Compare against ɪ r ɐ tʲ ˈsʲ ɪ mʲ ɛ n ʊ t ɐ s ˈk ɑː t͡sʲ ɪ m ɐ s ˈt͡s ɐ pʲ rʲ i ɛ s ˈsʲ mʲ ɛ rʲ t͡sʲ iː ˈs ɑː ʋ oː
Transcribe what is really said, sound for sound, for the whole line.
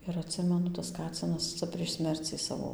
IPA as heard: ɪ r ɐ tʲ ˈsʲ ɪ mʲ ɛ n ʊ t ɐ s ˈk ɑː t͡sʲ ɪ n ɐ s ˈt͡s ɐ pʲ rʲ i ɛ ʃ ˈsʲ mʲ ɛ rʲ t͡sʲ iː ˈs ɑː ʋ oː